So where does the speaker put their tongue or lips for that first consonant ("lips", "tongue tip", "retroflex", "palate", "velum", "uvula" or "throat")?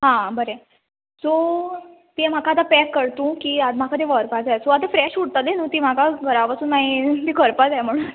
throat